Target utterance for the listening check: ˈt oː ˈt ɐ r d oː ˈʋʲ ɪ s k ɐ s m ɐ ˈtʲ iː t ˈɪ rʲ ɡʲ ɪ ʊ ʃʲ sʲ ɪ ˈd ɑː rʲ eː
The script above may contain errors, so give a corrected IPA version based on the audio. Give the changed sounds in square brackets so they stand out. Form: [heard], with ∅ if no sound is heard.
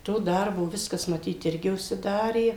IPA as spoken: ˈt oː [ˈd] ɐ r [b] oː ˈʋʲ ɪ s k ɐ s m ɐ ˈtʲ iː t ˈɪ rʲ ɡʲ ɪ ʊ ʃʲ sʲ ɪ ˈd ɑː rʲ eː